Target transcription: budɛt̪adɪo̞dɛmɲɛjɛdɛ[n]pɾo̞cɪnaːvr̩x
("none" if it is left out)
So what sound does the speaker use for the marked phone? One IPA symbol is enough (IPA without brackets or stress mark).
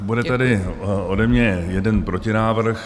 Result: n